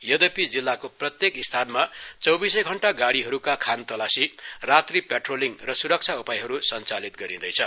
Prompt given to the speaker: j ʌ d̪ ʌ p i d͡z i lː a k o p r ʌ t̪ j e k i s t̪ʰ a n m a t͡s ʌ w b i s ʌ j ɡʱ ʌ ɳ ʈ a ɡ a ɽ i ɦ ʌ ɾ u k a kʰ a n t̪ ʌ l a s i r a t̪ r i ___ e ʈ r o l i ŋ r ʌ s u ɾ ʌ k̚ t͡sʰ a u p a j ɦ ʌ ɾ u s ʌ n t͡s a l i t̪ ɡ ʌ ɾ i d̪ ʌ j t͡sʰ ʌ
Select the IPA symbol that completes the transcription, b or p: p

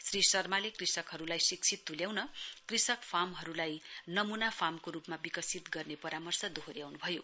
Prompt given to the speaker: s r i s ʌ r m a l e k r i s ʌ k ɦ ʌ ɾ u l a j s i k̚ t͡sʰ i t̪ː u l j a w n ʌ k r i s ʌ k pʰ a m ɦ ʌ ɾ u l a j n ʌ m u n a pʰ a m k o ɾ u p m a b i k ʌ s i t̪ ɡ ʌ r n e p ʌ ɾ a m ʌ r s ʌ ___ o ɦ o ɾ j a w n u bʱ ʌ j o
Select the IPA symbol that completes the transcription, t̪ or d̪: d̪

